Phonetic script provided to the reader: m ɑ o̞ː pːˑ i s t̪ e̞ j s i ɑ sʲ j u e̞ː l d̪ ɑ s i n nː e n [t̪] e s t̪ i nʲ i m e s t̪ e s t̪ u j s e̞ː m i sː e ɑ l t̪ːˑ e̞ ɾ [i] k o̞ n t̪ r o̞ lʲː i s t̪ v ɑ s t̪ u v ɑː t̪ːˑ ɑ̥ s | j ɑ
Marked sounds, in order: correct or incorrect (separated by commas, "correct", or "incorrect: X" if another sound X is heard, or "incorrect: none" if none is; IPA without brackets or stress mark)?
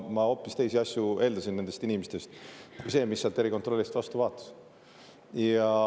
incorrect: d̪, correct